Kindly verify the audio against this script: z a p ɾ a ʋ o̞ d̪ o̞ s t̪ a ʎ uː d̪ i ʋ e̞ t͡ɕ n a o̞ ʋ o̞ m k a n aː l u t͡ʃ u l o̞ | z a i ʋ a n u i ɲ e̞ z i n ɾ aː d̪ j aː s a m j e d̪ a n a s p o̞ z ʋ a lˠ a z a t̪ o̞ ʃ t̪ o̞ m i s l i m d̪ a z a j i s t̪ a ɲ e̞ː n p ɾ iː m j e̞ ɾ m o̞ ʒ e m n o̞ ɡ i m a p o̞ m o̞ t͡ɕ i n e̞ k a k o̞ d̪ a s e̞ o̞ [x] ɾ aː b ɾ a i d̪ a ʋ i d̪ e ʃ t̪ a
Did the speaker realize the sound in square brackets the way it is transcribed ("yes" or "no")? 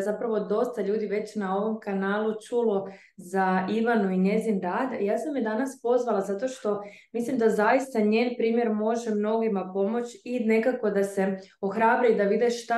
yes